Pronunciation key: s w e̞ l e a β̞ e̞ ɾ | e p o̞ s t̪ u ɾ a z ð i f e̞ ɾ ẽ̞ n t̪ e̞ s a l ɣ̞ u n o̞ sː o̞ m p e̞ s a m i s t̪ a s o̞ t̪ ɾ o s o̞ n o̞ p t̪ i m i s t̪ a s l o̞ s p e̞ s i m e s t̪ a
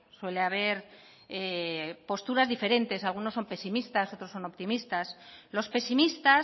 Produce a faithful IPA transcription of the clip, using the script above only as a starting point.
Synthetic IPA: s w e̞ l e a β̞ e̞ ɾ | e p o̞ s t̪ u ɾ a z ð i f e̞ ɾ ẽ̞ n t̪ e̞ s a l ɣ̞ u n o̞ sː o̞ m p e̞ s i m i s t̪ a s o̞ t̪ ɾ o s o̞ n o̞ p t̪ i m i s t̪ a s l o̞ s p e̞ s i m i s t̪ a